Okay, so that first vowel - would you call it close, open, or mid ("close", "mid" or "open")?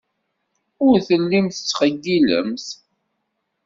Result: close